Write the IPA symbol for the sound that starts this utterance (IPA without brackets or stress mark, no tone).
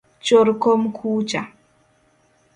t͡ʃ